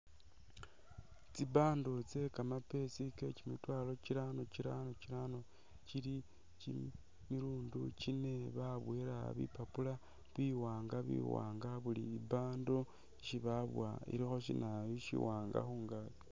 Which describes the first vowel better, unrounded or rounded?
unrounded